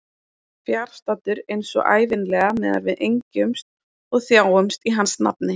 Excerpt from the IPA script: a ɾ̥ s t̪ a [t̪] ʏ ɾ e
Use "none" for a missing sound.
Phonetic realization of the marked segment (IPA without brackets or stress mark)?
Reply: t̪